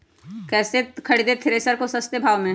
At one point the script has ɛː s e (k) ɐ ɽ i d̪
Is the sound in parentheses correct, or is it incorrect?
incorrect